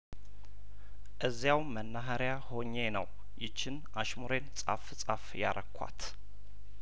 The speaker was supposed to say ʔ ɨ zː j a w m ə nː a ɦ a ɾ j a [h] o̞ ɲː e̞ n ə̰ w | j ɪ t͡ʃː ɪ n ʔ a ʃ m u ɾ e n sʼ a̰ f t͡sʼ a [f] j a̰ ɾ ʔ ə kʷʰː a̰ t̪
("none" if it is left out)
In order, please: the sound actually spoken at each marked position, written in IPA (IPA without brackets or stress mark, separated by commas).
h, f